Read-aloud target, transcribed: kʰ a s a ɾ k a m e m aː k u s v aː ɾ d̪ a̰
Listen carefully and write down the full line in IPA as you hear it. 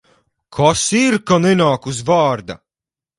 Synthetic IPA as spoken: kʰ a s i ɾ k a n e n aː k u z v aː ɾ d̪ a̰